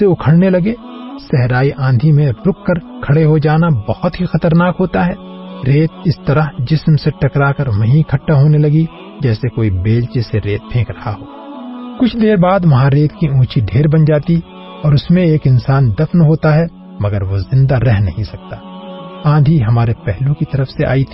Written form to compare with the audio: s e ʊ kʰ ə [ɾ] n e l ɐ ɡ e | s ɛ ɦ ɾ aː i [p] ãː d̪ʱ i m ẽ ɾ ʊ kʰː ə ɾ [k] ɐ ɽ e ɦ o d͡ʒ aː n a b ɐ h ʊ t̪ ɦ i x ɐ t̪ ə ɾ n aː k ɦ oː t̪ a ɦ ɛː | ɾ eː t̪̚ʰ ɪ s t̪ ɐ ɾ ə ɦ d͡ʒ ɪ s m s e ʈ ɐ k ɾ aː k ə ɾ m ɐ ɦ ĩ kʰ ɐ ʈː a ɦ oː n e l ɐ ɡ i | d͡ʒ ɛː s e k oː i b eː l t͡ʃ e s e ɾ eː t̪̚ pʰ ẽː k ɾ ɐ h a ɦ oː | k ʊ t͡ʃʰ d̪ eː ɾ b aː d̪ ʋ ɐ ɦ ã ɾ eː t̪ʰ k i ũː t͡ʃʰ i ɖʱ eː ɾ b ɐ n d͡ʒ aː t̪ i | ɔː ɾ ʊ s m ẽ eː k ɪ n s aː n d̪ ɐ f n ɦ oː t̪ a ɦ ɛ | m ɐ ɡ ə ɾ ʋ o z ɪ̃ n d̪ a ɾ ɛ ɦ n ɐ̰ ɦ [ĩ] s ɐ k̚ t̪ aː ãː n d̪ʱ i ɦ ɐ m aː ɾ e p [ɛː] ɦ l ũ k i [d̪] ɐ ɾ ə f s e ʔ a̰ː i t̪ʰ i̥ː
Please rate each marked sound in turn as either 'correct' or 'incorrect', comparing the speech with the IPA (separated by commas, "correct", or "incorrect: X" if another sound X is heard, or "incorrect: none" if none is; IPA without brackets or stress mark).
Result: incorrect: ɽ, incorrect: ʔ, incorrect: kʰ, correct, incorrect: ɛ, incorrect: t̪